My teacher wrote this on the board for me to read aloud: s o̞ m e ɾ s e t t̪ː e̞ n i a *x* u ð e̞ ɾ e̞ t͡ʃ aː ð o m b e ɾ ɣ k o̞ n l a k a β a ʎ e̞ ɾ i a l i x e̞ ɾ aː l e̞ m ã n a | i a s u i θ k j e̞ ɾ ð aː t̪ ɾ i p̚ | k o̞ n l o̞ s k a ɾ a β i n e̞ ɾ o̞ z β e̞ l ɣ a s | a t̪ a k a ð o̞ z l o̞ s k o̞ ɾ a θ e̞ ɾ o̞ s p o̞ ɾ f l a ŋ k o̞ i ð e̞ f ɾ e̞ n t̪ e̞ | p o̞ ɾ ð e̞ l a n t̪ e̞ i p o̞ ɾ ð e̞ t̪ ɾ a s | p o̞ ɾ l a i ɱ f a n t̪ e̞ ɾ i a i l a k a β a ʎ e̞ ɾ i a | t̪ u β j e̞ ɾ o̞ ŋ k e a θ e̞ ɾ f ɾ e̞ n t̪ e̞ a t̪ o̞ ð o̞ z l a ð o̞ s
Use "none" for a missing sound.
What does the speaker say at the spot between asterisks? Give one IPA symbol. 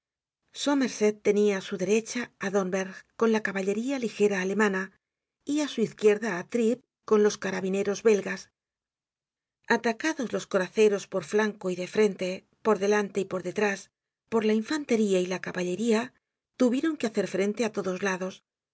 s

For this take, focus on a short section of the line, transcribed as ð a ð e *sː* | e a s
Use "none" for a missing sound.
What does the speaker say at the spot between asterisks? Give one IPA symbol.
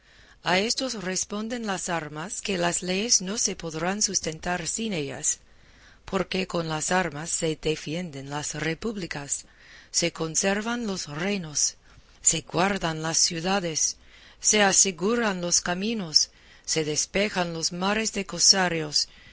sː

